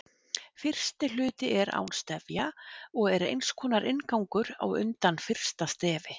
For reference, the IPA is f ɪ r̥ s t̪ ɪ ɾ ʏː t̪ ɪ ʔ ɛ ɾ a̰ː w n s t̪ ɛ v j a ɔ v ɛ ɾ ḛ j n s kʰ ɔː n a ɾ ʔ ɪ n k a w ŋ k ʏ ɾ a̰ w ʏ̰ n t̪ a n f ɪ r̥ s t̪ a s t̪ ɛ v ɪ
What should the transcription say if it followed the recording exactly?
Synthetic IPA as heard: f ɪ r̥ s t̪ ɪ l ʏː t̪ ɪ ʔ ɛ ɾ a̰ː w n s t̪ ɛ v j a ɔ ɣ ɛ ɾ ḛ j n s kʰ ɔː n a ɾ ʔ ɪ n k a w ŋ k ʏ ɾ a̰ w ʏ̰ n t̪ a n f ɪ r̥ s t̪ a s t̪ ɛː v ɪ